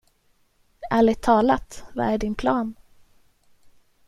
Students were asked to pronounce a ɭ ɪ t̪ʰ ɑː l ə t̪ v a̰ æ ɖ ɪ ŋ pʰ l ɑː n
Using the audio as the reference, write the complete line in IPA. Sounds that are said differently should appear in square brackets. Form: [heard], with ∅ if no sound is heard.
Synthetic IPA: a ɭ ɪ t̪ʰ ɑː l [a] t̪ v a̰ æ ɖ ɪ [n] pʰ l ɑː n